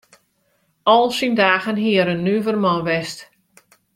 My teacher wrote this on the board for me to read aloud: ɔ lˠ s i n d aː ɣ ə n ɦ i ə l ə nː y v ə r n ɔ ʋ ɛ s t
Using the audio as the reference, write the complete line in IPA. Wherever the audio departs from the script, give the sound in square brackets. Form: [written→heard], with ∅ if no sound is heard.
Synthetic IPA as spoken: ɔ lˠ s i n d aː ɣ ə n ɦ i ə [l→ɾ] ə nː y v ə r [n→m] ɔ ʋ ɛ s t

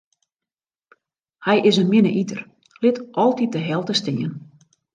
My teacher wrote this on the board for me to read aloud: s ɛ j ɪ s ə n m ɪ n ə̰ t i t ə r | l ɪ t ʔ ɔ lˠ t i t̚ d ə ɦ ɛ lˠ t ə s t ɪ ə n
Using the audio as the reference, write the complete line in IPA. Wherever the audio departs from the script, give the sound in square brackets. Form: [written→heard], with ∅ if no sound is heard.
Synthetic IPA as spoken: [s→h] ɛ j ɪ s ə n m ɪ n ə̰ [t→ʔ] i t ə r | l ɪ t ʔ ɔ lˠ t i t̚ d ə ɦ ɛ lˠ t ə s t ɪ ə n

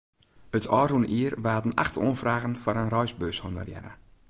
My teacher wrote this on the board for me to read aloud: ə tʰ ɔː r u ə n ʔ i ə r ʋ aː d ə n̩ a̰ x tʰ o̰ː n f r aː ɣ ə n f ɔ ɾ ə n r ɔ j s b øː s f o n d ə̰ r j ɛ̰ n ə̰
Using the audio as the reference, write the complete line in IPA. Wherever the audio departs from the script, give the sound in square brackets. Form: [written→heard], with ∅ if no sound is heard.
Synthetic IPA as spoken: ə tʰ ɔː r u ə n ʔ i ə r ʋ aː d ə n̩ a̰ x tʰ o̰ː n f r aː ɣ ə n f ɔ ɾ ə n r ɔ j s b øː s [f→h] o n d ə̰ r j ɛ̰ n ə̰

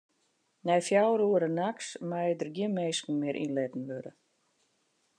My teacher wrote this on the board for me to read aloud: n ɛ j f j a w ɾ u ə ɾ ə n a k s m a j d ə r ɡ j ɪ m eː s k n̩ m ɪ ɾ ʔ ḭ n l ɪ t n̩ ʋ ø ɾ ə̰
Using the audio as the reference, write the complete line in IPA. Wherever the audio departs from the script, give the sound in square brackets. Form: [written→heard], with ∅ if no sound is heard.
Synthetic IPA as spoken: n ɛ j f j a w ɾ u ə ɾ ə n a k s m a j d ə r ɡ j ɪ m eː s k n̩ m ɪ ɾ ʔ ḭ n l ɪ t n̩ ʋ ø ɾ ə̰

